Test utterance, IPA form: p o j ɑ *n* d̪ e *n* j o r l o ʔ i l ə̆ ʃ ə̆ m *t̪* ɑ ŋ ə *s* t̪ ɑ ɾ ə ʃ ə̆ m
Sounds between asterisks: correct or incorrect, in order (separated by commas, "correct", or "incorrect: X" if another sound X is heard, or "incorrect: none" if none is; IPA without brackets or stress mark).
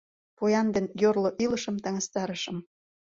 correct, correct, correct, correct